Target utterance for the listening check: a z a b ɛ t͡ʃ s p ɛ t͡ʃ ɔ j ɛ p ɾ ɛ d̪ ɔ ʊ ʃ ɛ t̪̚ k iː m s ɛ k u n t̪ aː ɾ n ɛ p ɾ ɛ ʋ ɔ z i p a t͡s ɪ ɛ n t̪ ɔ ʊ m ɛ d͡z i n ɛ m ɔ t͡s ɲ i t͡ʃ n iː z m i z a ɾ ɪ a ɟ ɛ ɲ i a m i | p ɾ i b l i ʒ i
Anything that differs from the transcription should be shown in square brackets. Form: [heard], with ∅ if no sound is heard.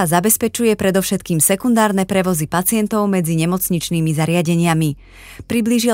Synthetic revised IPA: a z a b ɛ [∅] s p ɛ t͡ʃ [u] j ɛ p ɾ ɛ d̪ ɔ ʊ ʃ ɛ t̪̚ k iː m s ɛ k u n [d̪] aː ɾ n ɛ p ɾ ɛ ʋ ɔ z i p a t͡s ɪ ɛ n t̪ ɔ ʊ m ɛ d͡z i [ɲ] ɛ m ɔ t͡s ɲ i t͡ʃ n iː [∅] m i z a ɾ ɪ a ɟ ɛ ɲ [ɪ] a m i | p ɾ i b l i ʒ i